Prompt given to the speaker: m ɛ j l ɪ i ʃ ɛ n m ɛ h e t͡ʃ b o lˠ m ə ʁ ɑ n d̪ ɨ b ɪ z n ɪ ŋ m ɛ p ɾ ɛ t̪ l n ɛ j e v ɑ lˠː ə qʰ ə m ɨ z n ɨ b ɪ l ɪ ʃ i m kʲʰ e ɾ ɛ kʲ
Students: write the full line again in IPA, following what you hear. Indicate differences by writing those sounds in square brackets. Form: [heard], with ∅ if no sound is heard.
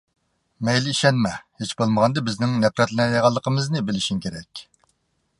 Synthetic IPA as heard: m ɛ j l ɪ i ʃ ɛ n m ɛ h e t͡ʃ b o lˠ m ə ʁ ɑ n d̪ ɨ b ɪ z n ɪ ŋ [n] ɛ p ɾ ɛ t̪ l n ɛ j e [ʁ] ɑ lˠː ə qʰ ə m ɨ z n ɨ b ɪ l ɪ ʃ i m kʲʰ e ɾ ɛ kʲ